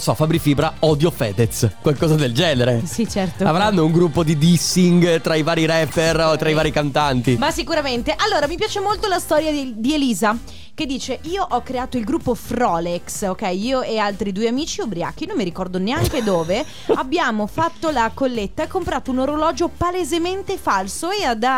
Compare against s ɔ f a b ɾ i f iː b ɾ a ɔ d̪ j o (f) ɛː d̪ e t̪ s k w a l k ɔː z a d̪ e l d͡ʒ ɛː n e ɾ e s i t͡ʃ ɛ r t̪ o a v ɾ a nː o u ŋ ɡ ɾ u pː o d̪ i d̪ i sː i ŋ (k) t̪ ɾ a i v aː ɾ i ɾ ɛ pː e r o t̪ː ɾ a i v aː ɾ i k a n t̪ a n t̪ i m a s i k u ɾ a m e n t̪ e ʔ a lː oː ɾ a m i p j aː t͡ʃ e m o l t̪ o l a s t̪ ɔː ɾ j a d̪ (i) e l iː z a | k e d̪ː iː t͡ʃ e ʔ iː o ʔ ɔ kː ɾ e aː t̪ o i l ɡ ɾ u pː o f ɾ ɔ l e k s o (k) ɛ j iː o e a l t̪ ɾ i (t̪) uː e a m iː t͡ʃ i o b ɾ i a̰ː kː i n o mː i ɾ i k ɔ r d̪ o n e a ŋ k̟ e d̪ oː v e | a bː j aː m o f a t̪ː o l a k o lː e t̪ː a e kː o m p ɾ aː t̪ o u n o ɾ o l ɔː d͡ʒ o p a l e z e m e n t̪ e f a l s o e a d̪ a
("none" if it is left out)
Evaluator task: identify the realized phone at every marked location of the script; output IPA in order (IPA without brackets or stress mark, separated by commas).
f, ɡ, i, k, d̪